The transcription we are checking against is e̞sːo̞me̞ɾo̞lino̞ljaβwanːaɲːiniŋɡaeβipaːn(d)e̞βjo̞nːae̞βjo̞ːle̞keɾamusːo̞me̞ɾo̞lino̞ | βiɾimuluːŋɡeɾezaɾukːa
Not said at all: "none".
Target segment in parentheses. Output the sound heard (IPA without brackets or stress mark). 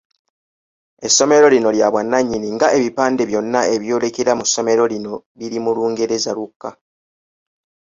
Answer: d